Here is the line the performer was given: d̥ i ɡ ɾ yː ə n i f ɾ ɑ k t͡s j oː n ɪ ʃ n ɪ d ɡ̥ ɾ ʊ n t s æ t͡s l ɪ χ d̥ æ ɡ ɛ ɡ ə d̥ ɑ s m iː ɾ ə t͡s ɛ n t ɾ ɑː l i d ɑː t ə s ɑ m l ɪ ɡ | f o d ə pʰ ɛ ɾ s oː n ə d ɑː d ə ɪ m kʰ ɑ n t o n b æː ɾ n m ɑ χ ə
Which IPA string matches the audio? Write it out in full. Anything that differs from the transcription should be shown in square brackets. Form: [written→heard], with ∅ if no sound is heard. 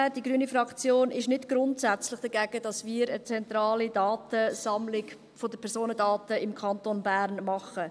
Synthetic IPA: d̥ i ɡ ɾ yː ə n i f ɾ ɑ k t͡s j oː n ɪ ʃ n ɪ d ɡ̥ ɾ ʊ n t s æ t͡s l ɪ χ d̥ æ ɡ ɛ ɡ ə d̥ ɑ s m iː ɾ ə t͡s ɛ n t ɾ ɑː l i d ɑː t ə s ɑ m l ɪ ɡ | f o d ə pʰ ɛ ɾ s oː n ə d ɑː [d→t] ə ɪ m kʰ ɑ n t o n b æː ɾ n m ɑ χ ə